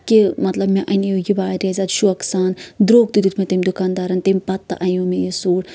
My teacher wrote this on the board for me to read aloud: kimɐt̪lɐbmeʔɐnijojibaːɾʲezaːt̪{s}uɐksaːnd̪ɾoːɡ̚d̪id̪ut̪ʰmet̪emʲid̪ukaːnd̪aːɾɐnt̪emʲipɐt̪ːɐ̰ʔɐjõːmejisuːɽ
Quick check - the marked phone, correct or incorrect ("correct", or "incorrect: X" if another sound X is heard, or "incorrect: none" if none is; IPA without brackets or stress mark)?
incorrect: ʃ